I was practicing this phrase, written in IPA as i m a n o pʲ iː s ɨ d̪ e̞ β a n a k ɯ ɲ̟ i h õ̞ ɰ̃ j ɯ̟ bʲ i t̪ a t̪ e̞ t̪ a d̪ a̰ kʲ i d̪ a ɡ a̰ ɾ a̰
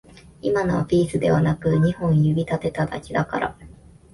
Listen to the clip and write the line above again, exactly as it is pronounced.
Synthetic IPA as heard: i m a n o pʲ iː s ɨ d̪ e̞ β a n a k ɯ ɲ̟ i h õ̞ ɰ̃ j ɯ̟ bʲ i t̪ a t̪ e̞ t̪ a d̪ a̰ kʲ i d̪ a k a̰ ɾ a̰